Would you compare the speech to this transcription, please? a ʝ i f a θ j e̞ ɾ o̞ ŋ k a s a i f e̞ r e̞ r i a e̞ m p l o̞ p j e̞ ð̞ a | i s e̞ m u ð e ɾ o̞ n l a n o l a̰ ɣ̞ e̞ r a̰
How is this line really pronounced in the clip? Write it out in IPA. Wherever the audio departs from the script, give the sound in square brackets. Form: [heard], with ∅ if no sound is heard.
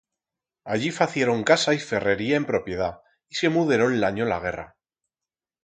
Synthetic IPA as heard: a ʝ i f a θ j e̞ ɾ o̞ ŋ k a s a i f e̞ r e̞ [ɾ] i a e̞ m p [ɾ] o̞ p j e̞ ð̞ a | i s e̞ m u ð e ɾ o̞ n l a [ɲ] o l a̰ ɣ̞ e̞ r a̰